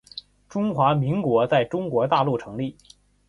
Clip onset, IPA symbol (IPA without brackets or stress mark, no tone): ʈ͡ʂ